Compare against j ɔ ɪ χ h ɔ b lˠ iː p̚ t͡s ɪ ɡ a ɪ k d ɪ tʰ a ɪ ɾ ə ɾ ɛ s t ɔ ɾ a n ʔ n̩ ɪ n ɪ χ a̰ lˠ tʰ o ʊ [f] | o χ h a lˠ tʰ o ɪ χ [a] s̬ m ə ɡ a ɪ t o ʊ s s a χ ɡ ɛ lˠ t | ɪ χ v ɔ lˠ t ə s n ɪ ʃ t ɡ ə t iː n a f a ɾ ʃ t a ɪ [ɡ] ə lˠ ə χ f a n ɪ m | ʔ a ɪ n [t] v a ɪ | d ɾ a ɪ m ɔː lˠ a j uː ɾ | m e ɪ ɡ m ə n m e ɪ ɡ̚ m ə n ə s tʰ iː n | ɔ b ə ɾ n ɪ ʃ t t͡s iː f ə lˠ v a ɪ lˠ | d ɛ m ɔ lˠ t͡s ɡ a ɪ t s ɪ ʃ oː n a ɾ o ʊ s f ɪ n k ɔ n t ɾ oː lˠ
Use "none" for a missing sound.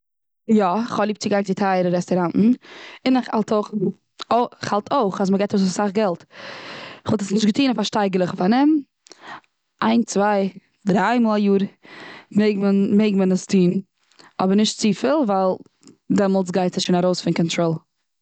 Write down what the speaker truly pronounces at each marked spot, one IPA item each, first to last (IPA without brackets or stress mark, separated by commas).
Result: χ, a, ɡ, t͡s